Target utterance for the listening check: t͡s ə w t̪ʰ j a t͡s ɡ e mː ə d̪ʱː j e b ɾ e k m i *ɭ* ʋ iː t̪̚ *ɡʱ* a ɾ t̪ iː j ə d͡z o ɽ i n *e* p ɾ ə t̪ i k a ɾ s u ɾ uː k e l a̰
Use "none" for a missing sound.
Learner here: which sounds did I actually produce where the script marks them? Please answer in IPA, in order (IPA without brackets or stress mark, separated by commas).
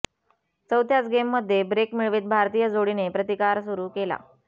ɭ, bʱ, e